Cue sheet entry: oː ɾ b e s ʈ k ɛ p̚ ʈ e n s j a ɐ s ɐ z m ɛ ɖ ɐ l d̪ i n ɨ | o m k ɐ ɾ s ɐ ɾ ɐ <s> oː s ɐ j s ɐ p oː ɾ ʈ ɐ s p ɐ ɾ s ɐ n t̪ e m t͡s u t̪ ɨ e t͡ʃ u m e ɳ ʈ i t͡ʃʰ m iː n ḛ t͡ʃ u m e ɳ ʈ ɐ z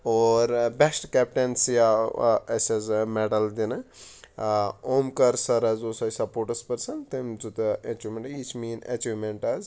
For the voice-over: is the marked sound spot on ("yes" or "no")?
no